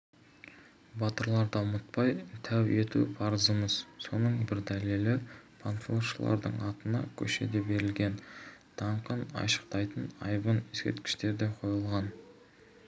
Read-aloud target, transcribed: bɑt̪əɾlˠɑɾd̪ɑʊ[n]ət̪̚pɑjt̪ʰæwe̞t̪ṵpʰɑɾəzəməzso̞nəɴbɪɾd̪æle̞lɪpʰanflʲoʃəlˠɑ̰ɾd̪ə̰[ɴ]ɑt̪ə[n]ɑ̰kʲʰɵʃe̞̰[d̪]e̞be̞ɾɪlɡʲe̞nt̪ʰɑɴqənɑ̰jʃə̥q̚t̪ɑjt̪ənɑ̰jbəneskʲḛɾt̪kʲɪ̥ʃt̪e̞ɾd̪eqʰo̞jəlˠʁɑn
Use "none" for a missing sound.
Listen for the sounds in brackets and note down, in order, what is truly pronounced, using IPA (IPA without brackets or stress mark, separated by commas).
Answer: m, ɴ, n, d̪